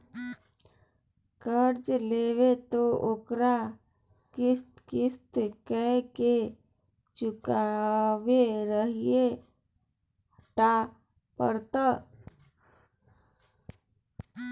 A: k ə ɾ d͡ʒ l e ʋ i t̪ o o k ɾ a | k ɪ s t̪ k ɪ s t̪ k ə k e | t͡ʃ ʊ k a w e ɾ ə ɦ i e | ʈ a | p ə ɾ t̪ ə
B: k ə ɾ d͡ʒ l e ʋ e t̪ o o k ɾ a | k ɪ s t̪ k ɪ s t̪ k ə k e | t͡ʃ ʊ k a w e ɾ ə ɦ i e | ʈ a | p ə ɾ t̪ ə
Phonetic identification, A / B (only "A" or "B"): B